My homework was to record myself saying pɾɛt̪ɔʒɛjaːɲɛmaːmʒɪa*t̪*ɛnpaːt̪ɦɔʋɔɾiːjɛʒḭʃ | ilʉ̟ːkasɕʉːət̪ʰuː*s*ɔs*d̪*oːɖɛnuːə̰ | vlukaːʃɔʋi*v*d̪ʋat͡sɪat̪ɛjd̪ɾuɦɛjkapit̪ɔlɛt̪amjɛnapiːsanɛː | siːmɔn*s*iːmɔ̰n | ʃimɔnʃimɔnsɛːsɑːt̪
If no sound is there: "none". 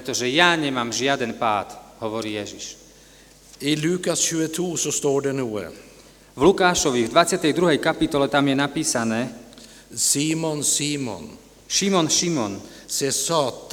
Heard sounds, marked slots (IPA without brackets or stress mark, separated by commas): d̪, s, t̪, v, s